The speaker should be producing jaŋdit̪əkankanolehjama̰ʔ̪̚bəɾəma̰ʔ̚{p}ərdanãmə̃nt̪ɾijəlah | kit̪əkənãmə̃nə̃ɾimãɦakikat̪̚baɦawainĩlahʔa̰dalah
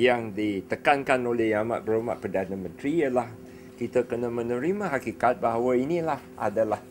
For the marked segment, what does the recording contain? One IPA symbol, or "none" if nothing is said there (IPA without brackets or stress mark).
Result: p